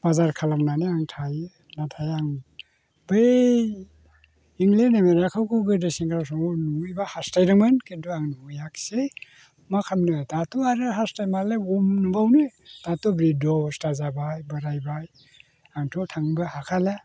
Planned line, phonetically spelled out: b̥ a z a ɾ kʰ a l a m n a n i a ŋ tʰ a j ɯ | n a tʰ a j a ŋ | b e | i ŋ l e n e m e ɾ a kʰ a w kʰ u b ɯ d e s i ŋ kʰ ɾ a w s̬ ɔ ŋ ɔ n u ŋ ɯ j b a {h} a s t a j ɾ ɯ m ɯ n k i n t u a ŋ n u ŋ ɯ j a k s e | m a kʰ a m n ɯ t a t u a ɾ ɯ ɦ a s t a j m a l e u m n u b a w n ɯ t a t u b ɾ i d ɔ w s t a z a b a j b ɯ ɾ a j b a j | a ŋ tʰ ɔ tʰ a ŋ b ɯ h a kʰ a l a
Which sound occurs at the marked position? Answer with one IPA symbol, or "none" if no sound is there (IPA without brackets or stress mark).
h